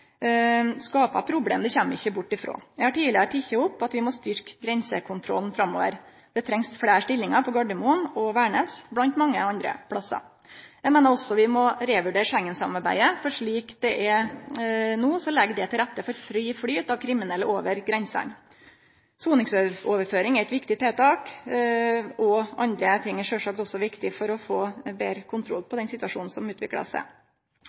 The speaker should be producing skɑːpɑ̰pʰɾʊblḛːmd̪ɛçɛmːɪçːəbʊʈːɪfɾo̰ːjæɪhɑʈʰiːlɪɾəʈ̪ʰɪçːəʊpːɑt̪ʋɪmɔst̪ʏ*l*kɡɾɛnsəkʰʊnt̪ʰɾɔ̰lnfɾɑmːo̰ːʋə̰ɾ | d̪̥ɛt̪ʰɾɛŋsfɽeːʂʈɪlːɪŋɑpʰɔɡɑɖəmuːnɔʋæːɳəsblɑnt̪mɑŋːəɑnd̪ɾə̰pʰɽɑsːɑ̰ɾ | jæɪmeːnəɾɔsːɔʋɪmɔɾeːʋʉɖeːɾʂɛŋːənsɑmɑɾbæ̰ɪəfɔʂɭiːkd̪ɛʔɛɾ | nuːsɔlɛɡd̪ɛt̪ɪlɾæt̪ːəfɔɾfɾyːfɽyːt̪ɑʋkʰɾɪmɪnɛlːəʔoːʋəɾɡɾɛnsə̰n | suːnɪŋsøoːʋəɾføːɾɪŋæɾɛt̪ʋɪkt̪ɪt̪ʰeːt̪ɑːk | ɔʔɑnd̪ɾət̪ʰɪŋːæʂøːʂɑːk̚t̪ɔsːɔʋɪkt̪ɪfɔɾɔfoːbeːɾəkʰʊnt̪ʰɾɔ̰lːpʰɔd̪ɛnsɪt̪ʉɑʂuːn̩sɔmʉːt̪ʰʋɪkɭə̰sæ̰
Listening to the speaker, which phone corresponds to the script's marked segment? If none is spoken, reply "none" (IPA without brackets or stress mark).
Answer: ɾ